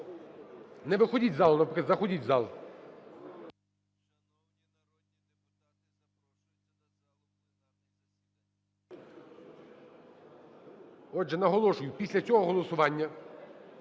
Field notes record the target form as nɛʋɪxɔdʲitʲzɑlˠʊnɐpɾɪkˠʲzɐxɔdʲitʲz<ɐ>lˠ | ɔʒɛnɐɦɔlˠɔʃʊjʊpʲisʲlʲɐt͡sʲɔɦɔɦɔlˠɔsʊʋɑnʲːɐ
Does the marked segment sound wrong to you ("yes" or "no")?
yes